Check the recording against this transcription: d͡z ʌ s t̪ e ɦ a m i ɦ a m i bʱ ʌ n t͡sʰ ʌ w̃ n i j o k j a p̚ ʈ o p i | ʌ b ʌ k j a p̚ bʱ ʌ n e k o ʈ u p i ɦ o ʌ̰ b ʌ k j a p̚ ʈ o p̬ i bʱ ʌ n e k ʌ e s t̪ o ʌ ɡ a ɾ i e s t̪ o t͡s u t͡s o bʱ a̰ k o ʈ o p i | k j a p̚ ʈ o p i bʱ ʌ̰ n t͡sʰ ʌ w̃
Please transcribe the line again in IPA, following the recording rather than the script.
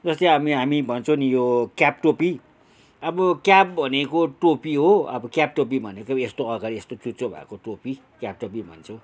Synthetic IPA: d͡z ʌ s t̪ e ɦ a m i ɦ a m i bʱ ʌ n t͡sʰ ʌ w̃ n i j o k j a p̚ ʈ o p i | ʌ b ʌ k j a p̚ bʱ ʌ n e k o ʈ o p i ɦ o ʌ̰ b ʌ k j a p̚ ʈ o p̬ i bʱ ʌ n e k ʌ e s t̪ o ʌ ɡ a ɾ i e s t̪ o t͡s u t͡s o bʱ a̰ k o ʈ o p i | k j a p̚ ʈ o p i bʱ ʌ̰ n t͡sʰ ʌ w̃